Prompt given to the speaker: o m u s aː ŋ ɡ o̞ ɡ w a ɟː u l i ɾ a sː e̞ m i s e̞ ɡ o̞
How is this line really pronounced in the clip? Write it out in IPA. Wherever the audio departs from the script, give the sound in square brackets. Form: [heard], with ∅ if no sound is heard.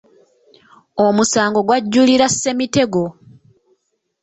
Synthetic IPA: o m u s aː ŋ ɡ o̞ ɡ w a ɟː u l i ɾ a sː e̞ m i [t] e̞ ɡ o̞